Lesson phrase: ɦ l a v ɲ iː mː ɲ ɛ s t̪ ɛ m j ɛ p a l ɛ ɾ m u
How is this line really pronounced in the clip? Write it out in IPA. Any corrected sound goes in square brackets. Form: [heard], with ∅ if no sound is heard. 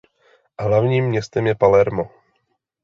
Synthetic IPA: ɦ l a v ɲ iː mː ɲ ɛ s t̪ ɛ m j ɛ p a l ɛ ɾ m [o]